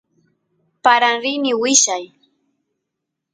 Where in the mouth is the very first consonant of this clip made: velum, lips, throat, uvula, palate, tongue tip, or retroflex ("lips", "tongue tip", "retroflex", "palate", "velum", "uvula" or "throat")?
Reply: lips